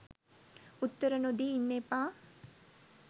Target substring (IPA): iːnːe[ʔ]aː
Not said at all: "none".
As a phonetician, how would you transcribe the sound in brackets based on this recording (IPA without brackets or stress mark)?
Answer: p